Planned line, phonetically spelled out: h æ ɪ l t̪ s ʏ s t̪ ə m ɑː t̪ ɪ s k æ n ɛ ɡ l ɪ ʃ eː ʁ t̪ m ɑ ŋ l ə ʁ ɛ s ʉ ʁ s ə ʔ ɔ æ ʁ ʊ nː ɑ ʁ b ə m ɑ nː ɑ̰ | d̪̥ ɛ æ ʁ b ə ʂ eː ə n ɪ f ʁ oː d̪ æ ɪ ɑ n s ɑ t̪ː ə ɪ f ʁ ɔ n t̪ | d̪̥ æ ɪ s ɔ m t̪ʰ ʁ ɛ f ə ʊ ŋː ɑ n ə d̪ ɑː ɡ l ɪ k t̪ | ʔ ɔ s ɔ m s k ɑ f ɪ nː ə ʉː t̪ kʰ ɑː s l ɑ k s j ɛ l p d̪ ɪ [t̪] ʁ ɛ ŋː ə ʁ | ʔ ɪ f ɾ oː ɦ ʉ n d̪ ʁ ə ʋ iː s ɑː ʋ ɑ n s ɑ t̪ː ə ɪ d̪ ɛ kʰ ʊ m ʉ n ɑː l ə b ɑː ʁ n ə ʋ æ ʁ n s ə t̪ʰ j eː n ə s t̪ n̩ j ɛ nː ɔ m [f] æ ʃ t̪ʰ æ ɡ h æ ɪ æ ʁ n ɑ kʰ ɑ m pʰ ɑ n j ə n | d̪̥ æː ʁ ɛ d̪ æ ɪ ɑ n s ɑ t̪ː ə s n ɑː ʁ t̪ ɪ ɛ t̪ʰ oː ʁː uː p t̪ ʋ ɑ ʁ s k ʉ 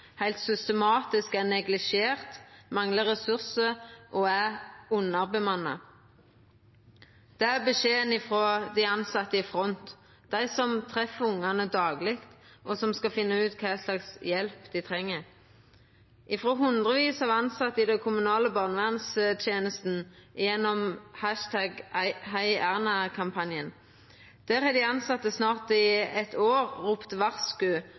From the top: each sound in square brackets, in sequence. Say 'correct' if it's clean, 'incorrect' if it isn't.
incorrect, incorrect

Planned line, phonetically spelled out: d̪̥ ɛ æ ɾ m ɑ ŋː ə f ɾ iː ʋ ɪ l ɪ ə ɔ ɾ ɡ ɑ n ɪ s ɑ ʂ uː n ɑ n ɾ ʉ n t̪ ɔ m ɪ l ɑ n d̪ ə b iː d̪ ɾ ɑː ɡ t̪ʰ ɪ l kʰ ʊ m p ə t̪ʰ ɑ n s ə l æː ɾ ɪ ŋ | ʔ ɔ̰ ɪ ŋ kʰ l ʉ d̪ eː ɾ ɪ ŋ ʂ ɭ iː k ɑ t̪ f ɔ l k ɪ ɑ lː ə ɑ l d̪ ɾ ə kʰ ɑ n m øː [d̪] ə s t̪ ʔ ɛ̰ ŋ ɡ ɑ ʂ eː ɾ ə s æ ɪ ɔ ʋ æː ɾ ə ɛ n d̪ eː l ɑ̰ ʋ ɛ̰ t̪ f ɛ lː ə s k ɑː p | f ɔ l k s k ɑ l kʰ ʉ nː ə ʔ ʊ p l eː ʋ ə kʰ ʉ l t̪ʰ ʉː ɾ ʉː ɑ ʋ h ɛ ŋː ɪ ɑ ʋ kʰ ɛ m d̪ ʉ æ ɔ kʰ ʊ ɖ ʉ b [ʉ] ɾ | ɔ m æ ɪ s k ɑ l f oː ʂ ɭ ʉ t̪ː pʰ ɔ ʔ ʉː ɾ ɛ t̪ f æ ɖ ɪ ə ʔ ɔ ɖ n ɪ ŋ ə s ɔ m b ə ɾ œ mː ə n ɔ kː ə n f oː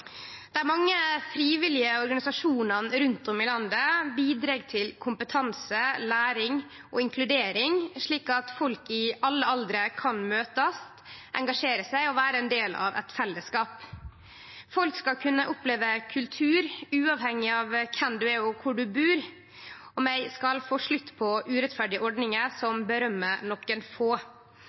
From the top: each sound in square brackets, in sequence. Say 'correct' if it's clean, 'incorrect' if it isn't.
incorrect, incorrect

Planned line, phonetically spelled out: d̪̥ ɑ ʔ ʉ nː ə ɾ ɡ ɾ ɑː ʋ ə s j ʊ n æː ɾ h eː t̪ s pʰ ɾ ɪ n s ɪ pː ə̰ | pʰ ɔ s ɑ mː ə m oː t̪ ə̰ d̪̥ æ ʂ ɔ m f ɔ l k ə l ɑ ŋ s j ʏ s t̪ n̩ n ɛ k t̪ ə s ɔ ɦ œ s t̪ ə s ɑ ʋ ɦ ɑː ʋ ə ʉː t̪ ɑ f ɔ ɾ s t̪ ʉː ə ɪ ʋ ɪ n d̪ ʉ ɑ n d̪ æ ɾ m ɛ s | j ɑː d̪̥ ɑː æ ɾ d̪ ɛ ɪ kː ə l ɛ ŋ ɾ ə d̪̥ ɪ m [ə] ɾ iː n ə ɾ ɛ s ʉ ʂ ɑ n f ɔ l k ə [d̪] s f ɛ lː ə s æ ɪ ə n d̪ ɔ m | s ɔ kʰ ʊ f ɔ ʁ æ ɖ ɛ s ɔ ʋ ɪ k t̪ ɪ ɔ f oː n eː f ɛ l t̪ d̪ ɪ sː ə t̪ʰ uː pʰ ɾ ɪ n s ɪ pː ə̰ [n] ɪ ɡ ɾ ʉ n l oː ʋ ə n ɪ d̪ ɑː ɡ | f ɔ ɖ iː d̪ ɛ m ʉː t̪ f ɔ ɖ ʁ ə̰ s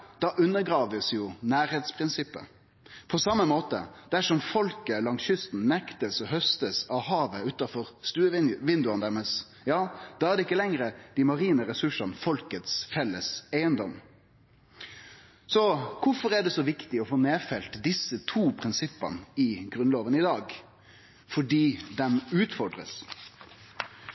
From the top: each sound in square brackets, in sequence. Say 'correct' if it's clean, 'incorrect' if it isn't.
incorrect, incorrect, correct

